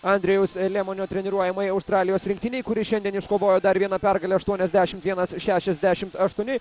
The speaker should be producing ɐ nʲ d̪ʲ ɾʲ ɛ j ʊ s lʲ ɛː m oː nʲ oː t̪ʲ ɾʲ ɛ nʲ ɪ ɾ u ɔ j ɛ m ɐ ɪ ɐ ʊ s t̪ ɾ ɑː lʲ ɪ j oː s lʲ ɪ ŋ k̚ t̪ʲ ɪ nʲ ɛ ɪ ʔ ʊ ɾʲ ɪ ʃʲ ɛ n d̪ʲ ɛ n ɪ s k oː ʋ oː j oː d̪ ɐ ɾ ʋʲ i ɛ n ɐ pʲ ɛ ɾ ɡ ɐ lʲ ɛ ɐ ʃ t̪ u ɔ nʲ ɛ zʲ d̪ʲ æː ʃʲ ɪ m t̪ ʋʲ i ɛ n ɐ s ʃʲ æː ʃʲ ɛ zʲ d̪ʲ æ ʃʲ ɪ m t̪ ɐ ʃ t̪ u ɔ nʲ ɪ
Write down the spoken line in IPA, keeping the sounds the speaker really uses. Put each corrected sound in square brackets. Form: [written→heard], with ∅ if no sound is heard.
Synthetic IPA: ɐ nʲ d̪ʲ ɾʲ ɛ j ʊ s lʲ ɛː m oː nʲ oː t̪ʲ ɾʲ ɛ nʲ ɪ ɾ u ɔ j ɛ m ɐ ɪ ɐ ʊ s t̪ ɾ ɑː lʲ ɪ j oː s [lʲ→ɾʲ] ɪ ŋ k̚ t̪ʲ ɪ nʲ ɛ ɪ [ʔ→k] ʊ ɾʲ ɪ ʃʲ ɛ n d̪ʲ ɛ n ɪ [s→ʃ] k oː ʋ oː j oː d̪ ɐ ɾ ʋʲ i ɛ n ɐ pʲ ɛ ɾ ɡ ɐ lʲ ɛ ɐ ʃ t̪ u ɔ nʲ ɛ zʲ d̪ʲ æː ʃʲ ɪ m t̪ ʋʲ i ɛ n ɐ s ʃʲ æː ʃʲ ɛ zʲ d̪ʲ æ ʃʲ ɪ m t̪ ɐ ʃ t̪ u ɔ nʲ ɪ